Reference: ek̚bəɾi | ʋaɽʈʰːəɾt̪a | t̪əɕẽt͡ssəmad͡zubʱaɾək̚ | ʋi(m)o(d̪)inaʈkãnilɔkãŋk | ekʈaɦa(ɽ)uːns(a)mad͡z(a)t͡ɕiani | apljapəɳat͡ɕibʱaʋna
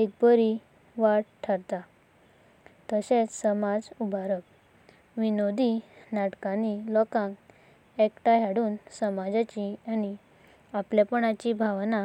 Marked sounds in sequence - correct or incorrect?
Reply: incorrect, correct, correct, incorrect, correct

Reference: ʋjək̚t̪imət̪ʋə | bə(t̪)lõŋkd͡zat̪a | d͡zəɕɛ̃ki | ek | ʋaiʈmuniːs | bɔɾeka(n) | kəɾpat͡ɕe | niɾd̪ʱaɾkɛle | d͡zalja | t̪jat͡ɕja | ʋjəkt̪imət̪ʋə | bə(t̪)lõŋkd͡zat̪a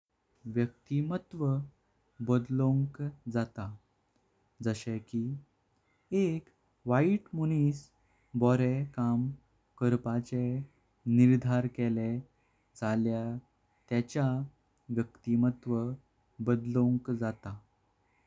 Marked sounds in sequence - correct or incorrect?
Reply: incorrect, incorrect, incorrect

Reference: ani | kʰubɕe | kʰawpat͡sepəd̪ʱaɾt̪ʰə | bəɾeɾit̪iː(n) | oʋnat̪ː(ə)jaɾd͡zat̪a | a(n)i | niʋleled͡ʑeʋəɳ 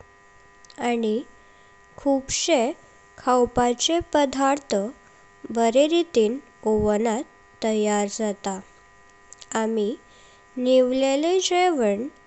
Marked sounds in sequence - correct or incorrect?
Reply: correct, correct, incorrect

